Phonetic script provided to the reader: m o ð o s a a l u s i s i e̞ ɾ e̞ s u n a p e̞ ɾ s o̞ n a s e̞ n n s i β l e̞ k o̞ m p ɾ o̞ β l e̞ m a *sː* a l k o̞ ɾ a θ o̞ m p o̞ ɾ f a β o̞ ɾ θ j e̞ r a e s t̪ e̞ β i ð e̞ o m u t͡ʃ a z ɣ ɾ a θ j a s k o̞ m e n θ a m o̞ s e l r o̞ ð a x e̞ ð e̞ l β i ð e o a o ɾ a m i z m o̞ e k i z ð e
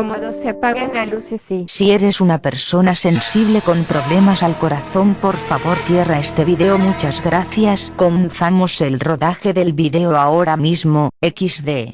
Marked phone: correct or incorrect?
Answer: incorrect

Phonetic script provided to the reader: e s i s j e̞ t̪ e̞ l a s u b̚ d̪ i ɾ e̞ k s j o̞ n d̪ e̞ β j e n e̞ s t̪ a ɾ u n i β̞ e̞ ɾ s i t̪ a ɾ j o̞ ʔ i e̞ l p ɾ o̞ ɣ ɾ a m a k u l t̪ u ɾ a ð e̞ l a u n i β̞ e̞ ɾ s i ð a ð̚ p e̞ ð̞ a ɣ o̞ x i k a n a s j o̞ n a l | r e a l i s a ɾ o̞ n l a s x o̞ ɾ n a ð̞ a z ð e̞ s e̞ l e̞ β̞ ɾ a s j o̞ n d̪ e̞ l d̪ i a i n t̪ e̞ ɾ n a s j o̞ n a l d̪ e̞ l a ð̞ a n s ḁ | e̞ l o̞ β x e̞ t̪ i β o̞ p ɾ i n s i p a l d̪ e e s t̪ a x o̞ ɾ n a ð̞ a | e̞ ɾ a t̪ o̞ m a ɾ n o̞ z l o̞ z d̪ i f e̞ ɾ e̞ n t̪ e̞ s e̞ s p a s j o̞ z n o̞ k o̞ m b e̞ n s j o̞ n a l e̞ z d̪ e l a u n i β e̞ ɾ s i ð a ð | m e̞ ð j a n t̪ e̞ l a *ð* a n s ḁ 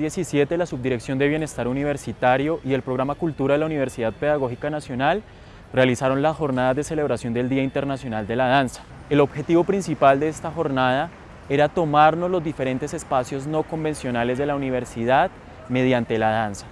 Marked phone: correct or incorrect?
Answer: correct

